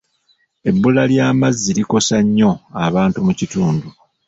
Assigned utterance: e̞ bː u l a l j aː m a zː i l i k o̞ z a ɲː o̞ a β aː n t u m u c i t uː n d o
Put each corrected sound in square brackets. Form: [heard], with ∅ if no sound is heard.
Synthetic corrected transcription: e̞ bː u l a l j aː m a zː i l i k o̞ [s] a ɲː o̞ a β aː n t u m u c i t uː n d [u]